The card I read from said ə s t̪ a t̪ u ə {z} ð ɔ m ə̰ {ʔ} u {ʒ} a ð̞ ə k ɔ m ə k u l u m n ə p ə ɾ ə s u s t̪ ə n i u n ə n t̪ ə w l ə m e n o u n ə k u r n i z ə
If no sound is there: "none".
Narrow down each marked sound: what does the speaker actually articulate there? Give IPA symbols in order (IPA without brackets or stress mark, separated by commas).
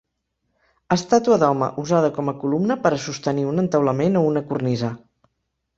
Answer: none, ʔ, z